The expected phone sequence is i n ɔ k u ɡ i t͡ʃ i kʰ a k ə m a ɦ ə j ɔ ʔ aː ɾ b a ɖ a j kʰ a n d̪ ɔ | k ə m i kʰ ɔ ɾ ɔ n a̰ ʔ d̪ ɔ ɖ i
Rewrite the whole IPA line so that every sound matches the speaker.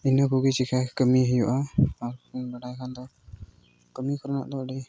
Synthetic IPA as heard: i n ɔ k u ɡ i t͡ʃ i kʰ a k ə m i ɦ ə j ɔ ʔ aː ɾ b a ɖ a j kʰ a n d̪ ɔ | k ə m i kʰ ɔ ɾ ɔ n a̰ ʔ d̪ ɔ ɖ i